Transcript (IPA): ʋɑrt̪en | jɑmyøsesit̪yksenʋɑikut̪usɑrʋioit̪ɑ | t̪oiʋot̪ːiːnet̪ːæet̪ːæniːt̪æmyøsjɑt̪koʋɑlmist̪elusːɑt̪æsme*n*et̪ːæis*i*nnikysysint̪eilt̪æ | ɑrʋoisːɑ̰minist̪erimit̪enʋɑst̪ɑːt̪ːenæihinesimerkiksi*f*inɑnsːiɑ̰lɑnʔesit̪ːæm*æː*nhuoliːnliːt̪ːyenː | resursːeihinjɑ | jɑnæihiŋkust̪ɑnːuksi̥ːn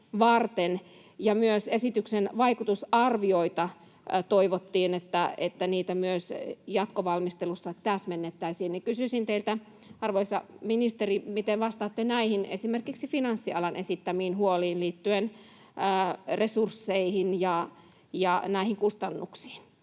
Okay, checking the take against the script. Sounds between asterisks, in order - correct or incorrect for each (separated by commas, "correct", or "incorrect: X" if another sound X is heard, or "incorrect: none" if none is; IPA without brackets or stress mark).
incorrect: nː, incorrect: iː, correct, incorrect: iː